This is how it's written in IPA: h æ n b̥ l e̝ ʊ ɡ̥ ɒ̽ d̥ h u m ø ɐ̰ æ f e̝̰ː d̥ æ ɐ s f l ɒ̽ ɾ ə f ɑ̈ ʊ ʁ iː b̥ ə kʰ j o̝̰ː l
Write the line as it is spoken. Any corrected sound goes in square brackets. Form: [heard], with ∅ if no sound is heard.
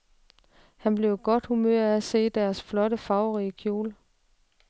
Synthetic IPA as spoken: h æ n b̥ l e̝ ʊ ɡ̥ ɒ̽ d̥ h u m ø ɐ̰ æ [s] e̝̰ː d̥ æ ɐ s f l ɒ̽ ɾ ə f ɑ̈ ʊ ʁ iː [∅] ə kʰ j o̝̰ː l